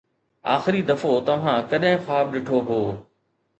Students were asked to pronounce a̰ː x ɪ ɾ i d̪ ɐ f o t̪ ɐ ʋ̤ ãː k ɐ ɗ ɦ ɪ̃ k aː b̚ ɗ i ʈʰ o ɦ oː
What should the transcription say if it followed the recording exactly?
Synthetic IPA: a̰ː x ɪ ɾ i d̪ ɐ f o t̪ ɐ ʋ̤ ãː k ɐ ɗ ɦ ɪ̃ x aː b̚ ɗ ɪ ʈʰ o ɦ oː

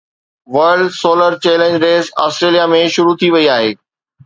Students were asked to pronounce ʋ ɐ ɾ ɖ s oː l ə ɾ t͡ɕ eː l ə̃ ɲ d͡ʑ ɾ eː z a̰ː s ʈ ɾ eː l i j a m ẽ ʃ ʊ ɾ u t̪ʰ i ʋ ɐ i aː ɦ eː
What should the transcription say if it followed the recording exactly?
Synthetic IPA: ʋ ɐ ɾ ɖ s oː l ə ɾ t͡ɕ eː l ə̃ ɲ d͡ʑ ɾ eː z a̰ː s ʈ ɾ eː l i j a m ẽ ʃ ʊ ɾ u t̪ʰ i ʋ ɐ i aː ɦ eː

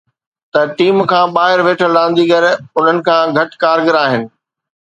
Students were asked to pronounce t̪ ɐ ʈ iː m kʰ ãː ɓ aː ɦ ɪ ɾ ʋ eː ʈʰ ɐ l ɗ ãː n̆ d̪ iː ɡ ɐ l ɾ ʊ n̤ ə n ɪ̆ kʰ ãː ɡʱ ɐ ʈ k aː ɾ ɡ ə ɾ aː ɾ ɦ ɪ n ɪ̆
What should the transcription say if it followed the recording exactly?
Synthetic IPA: t̪ ɐ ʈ iː m kʰ ãː ɓ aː ɦ ɪ ɾ ʋ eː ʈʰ ə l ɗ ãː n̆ d̪ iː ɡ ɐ ɾ ʊ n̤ ə n ɪ̆ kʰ ãː ɡʱ ɐ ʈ k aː ɾ ɡ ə ɾ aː ɦ ɪ n ɪ̆

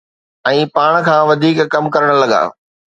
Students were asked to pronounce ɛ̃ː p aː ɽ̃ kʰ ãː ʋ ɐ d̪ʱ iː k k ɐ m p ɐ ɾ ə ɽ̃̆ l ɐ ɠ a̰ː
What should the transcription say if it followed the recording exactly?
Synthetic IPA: ɛ̃ː p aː ɽ̃ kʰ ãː ʋ ɐ d̪ʱ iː k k ɐ m k ɐ ɾ ə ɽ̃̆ l ɐ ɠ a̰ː

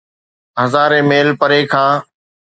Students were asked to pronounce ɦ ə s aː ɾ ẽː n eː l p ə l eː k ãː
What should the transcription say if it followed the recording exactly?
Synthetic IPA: ɦ ə z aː ɾ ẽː m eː l p ə ɾ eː kʰ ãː

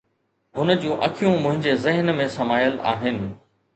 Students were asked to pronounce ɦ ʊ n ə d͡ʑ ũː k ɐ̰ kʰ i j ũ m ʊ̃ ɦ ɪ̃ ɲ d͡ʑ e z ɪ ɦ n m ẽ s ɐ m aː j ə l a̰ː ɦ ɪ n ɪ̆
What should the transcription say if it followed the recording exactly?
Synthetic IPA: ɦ ʊ n ə d͡ʑ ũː ʔ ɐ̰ kʰ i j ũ m ʊ̃ ɦ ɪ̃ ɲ d͡ʑ e z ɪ ɦ n m ẽ s ɐ m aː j ə l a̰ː ɦ ɪ n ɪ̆

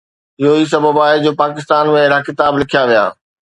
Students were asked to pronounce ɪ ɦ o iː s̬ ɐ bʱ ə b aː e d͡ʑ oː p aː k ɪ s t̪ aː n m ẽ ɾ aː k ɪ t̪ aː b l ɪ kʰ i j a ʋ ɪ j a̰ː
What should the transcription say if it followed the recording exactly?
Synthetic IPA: ɪ ɦ o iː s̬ ɐ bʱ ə b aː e d͡ʑ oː p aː k ɪ s t̪ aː n m ẽ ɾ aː k ɪ t̪ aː b l ɪ kʰ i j a ʋ i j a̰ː

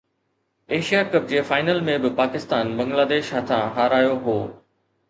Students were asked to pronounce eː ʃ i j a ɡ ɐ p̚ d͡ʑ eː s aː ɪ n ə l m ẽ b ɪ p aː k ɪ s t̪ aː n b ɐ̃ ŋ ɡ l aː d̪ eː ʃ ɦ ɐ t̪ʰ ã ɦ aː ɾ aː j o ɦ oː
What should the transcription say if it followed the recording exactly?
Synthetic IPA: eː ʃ i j a k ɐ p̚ d͡ʑ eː f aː ɪ n ə l m ẽ b ɪ p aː k ɪ s t̪ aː n b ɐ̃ ŋ ɡ l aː d̪ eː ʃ ɦ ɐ t̪ʰ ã ɦ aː ɾ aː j o ɦ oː

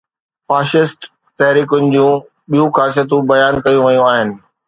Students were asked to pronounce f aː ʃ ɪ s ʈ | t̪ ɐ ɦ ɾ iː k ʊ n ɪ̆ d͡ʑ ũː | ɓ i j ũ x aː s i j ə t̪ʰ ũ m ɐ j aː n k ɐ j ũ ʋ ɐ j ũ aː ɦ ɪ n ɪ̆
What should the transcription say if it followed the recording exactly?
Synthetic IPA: f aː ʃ ɪ s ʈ | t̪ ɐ ɦ ɾ iː k ʊ n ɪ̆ d͡ʑ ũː | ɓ i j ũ x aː s i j ə t̪ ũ b ɐ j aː n k ɐ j ũ ʋ ɐ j ũ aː ɦ ɪ n ɪ̆

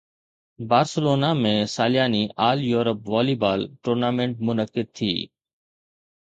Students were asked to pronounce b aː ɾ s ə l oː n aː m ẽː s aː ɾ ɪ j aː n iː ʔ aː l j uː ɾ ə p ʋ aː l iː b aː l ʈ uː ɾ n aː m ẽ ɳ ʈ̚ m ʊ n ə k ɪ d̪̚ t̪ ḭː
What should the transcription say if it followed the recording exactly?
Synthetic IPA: b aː ɾ s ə l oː n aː m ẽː s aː l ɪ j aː n iː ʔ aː l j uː ɾ ə p ʋ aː l iː b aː l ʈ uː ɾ n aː m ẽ ɳ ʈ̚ m ʊ n ə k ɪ d̪̚ t̪ʰ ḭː

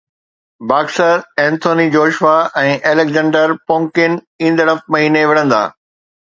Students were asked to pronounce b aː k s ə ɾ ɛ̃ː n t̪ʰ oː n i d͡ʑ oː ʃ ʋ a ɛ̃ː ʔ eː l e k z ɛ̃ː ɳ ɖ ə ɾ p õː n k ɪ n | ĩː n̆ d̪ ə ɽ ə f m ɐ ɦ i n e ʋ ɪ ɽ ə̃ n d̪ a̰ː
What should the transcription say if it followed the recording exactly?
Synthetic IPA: b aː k s ə ɾ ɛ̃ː n t̪ʰ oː n i d͡ʑ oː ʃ ʋ a ɛ̃ː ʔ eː l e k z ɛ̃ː ɳ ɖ ə ɾ p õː ŋ k ɪ n | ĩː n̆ d̪ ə ɽ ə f m ɐ ɦ iː n e ʋ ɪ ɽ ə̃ n d̪ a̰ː

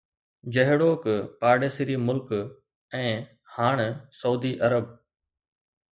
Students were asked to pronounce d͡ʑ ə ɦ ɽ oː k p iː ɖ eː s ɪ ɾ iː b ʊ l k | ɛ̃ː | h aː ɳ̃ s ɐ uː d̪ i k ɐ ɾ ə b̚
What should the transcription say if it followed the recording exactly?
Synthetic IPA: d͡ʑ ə ɦ ɽ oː k p aː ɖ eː s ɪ ɾ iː m ʊ l k | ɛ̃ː | h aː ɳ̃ s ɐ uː d̪ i ʔ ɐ ɾ ə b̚

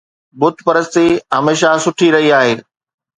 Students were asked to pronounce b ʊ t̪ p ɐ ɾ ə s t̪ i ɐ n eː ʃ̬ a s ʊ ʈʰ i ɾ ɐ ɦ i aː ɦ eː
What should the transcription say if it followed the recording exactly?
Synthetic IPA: b ʊ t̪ p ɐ ɾ ə s t̪ i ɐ m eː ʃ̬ a s ʊ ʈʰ i ɾ ɐ ɦ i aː ɦ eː

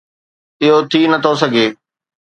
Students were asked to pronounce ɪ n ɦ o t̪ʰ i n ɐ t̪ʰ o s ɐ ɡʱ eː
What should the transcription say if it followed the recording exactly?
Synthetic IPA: ɪ ɦ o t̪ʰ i n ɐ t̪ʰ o s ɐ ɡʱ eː

